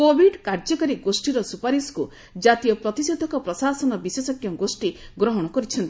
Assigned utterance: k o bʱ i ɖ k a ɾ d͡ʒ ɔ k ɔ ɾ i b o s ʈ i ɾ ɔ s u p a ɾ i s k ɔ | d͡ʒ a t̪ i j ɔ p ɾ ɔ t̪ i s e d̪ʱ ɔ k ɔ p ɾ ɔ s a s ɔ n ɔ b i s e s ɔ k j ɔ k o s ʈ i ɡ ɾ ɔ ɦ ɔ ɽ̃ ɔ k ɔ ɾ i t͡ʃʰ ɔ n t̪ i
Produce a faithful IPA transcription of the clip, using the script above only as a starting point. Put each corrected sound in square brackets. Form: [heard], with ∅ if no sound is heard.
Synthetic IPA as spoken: k o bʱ i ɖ k a ɾ d͡ʒ ɔ k ɔ ɾ i [ɡ] o s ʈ i ɾ ɔ s u p a ɾ i s k [u] | d͡ʒ a t̪ i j ɔ p ɾ ɔ t̪ i s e d̪ʱ ɔ k ɔ p ɾ ɔ s a s ɔ n ɔ b i s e s ɔ k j ɔ [ɡ] o s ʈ i ɡ ɾ ɔ ɦ ɔ ɽ̃ ɔ k ɔ ɾ i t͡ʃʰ ɔ n t̪ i